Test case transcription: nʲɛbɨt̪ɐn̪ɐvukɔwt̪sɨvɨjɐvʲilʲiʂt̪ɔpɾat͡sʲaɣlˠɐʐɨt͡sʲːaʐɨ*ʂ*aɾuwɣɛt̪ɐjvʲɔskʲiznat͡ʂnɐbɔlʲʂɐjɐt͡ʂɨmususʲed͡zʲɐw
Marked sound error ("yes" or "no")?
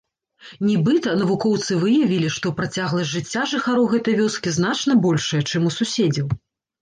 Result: yes